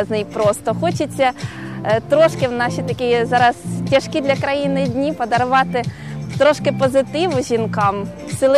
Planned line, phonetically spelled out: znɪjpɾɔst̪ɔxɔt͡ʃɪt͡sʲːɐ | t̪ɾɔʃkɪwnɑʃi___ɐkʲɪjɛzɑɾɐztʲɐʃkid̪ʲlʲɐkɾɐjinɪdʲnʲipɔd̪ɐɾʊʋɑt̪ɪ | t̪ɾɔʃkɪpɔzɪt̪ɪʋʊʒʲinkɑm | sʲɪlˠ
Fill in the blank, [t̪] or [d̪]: t̪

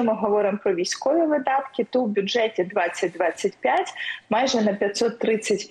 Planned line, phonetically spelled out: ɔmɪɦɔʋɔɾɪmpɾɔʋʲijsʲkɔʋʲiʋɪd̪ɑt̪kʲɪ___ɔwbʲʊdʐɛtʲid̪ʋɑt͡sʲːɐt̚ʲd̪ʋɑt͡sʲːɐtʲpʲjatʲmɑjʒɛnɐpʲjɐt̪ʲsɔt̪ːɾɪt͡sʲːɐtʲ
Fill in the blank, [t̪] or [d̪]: t̪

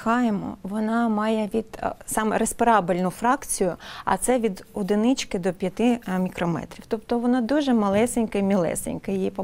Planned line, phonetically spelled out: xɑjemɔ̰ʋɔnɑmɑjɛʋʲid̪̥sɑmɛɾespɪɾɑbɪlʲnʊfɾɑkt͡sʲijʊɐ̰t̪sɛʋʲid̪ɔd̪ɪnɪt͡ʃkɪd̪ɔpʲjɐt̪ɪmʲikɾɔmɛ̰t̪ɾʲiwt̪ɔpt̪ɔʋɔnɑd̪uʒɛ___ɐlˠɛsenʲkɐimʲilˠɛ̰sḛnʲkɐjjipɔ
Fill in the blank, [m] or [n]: m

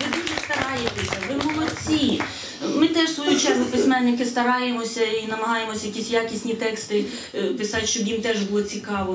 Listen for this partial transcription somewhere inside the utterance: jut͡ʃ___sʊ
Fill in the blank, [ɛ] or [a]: ɛ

